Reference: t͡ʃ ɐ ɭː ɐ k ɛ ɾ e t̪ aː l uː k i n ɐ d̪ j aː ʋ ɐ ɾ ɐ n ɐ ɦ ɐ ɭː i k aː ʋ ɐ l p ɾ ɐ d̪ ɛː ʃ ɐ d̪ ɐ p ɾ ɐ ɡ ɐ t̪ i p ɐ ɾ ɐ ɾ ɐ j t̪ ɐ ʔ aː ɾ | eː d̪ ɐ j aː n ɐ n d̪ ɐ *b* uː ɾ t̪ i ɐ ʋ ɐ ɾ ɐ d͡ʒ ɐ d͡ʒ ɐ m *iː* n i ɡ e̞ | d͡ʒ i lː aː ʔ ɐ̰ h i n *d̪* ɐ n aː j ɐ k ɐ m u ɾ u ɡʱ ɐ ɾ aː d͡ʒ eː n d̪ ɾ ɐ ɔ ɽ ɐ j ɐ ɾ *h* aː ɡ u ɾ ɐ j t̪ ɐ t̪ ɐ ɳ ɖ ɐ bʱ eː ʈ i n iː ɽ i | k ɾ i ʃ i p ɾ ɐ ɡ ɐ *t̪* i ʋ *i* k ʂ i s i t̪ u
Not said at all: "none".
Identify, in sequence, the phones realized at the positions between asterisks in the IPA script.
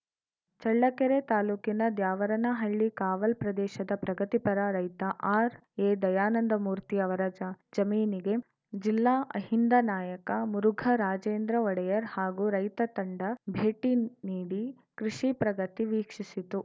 m, iː, d̪, h, t̪, iː

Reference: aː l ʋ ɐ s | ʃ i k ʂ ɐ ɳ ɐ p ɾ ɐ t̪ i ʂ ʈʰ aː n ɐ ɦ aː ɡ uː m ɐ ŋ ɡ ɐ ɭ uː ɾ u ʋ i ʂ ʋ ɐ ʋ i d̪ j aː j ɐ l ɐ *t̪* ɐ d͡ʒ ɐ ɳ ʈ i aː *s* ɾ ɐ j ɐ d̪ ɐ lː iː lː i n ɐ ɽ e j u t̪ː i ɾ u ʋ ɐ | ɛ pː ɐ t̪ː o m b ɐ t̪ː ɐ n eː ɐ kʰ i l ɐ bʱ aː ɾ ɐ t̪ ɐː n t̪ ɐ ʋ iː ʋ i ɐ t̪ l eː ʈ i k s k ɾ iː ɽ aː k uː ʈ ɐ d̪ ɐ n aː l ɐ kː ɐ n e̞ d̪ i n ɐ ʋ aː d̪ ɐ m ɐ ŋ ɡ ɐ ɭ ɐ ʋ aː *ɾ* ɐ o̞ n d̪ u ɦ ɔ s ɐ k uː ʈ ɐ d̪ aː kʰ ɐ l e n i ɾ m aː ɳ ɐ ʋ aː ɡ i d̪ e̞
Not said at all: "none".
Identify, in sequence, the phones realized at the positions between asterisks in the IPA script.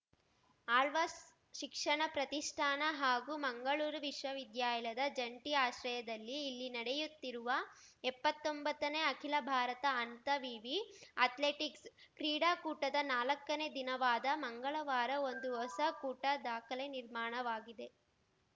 d̪, ʃ, ɾ

